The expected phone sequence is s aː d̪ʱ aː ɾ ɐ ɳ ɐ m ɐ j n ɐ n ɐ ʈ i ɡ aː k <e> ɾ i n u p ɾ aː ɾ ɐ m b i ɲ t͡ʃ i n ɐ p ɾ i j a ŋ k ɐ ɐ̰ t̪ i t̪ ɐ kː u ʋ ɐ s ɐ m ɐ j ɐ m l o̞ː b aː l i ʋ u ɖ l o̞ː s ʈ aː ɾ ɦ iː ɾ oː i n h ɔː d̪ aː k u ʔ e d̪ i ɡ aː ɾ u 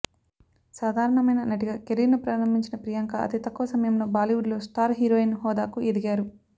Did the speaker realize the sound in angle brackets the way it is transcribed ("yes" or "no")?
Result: yes